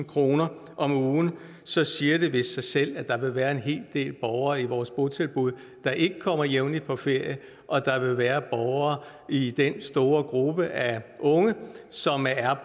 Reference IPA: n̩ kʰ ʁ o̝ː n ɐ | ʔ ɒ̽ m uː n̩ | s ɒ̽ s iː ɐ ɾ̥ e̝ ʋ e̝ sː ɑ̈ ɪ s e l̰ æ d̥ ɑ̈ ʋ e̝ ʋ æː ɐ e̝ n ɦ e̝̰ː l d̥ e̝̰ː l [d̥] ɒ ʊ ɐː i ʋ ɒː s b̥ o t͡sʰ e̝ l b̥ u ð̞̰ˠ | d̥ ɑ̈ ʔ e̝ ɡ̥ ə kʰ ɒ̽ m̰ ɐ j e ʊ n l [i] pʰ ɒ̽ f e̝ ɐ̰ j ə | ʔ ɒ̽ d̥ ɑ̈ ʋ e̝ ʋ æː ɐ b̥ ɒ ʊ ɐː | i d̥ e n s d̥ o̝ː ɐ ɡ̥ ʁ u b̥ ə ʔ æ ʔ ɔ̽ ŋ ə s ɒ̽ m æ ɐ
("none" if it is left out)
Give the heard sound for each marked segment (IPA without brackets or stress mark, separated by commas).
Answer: b̥, i